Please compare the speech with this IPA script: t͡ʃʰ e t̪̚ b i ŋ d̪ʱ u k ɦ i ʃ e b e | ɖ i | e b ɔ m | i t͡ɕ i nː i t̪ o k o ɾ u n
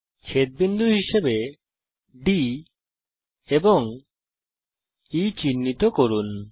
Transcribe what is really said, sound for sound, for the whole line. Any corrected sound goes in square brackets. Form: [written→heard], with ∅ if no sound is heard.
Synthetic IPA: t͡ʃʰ e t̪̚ b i [ŋ→n] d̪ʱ u [k→∅] ɦ i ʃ e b e | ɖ i | e b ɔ [m→ŋ] | i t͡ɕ i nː i t̪ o k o ɾ u n